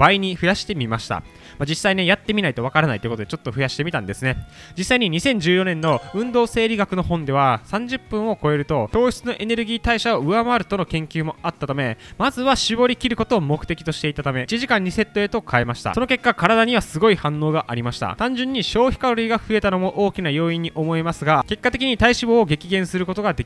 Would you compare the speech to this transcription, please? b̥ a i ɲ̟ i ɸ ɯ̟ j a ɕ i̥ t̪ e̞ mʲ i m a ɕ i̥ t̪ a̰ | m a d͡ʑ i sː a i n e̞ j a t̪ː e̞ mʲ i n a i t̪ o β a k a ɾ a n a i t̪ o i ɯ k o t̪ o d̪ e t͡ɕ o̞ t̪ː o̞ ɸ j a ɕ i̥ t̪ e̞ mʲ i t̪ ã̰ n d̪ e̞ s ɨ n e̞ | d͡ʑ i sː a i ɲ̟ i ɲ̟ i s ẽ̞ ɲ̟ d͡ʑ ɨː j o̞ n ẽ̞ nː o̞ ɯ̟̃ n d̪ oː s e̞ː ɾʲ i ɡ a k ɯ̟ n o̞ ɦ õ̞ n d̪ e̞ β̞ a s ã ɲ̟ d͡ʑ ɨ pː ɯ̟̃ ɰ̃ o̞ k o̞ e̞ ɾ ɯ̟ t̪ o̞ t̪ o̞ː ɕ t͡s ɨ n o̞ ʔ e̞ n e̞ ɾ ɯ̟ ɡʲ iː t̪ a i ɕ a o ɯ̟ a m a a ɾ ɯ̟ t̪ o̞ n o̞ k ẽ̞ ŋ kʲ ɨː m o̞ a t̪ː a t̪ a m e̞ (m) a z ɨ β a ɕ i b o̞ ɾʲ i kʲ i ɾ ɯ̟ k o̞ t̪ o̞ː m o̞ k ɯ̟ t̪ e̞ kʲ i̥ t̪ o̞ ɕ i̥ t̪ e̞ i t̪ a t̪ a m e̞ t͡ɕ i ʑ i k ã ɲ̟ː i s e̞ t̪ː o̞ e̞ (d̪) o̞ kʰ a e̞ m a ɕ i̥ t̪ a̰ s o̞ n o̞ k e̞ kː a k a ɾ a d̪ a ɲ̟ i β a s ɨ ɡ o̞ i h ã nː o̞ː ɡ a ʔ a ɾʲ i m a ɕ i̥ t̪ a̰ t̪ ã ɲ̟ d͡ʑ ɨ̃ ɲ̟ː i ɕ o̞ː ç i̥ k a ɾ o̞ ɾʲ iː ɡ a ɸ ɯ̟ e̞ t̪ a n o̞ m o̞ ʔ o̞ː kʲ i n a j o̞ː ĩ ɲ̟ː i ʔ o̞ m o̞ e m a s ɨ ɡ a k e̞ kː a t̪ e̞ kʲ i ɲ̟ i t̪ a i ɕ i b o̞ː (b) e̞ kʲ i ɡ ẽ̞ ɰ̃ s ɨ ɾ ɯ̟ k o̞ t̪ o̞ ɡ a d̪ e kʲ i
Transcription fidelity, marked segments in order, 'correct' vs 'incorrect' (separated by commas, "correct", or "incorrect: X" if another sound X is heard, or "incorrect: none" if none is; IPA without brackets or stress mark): correct, incorrect: t̪, incorrect: ɡ